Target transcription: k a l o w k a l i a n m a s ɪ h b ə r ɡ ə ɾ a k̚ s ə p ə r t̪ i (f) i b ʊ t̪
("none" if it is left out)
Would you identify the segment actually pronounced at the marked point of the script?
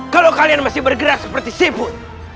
s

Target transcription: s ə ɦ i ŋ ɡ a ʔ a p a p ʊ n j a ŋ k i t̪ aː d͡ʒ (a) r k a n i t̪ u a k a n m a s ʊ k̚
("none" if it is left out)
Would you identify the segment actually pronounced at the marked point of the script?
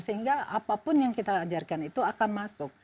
a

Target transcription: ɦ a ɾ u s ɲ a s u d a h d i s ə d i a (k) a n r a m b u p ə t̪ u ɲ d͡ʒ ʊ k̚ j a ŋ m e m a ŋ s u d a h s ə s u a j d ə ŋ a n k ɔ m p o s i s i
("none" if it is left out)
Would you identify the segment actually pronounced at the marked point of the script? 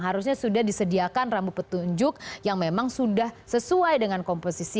k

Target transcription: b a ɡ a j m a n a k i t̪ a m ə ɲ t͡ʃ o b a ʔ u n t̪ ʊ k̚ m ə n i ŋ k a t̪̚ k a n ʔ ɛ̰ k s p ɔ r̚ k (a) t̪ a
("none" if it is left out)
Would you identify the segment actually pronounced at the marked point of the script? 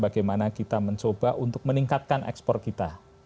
i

